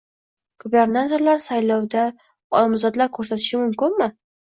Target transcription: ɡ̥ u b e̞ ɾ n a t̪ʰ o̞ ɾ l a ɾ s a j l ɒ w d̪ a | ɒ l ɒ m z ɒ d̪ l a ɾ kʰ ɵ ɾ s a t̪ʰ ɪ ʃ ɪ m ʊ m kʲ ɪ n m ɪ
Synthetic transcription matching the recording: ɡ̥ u b e̞ ɾ n a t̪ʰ o̞ ɾ l a ɾ s a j l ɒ w d̪ a | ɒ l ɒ m z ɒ d̪ l a ɾ kʰ ɵ ɾ s a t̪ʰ ɪ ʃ ɪ m ʊ m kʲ ɪ n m ɪ

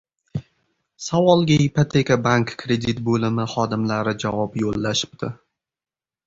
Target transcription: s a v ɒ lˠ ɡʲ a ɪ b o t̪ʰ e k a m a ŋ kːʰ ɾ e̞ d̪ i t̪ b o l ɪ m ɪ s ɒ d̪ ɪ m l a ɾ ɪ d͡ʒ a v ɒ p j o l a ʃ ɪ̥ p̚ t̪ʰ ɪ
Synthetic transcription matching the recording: s a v ɒ lˠ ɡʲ a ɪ p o t̪ʰ e k a b a ŋ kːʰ ɾ e̞ d̪ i t̪ b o l ɪ m ɪ χ ɒ d̪ ɪ m l a ɾ ɪ d͡ʒ a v ɒ p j o lː a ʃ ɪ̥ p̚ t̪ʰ ɪ

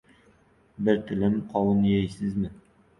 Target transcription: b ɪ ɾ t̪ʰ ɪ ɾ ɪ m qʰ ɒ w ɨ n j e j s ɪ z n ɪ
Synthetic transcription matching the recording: b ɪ ɾ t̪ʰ ɪ l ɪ m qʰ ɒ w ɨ n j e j s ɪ z m ɪ

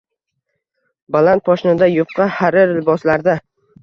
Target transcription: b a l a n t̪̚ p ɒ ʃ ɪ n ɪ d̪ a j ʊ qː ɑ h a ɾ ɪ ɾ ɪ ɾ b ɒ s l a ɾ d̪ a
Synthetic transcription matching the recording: b a l a n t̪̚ p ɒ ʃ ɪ n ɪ d̪ a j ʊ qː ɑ h a ɾ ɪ ɾ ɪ l b ɒ s l a ɾ d̪ a

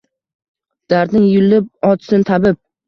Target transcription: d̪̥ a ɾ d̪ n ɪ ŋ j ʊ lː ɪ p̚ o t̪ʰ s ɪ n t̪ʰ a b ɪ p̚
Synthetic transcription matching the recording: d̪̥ a ɾ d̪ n ɪ ŋ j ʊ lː ɪ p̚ ɒ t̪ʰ s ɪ n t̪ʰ a b ɪ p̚

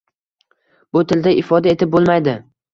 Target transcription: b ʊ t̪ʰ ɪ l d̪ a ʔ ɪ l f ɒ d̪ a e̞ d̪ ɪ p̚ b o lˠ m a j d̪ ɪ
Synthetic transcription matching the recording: b ʊ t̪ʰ ɪ l d̪ a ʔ ɪ f ɒ d̪ a e̞ t̪ ɪ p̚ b o lˠ m a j d̪ ɪ

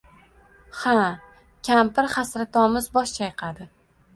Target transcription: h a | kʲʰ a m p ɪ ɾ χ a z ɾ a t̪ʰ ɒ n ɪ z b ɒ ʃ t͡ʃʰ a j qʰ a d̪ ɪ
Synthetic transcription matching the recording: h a | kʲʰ a m p ɪ ɾ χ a s ɾ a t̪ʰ ɒ m ɪ z b ɒ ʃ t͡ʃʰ a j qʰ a d̪ ɪ

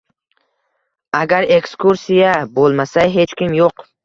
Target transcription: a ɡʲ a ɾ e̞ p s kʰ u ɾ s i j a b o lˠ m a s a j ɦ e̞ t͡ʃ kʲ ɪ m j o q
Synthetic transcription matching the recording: a ɡʲ a ɾ e̞ k s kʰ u ɾ s i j a b o lˠ m a s a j ɦ e̞ t͡ʃ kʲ ɪ m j o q

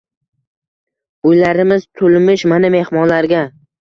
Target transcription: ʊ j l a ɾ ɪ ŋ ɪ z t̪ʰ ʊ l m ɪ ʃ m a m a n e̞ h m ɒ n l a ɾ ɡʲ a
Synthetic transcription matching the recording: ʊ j l a ɾ ɪ m ɪ z t̪ʰ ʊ l m ɪ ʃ m a n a m e̞ h m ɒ n l a ɾ ɡʲ a

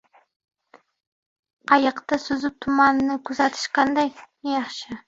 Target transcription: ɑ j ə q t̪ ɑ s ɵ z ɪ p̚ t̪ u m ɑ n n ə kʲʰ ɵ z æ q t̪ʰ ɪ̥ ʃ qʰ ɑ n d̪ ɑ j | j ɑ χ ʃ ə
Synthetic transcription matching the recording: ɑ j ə q t̪ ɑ s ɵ z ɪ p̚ t̪ʰ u m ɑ n n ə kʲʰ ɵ z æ t̪ʰ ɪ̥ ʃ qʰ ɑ n d̪ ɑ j | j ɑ χ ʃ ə

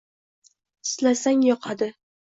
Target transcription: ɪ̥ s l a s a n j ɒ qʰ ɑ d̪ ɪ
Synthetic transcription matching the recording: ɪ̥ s l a s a ŋ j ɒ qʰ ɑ d̪ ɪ

